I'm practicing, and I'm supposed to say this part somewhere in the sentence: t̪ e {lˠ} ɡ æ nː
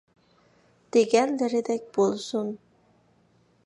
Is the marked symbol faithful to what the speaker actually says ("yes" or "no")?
no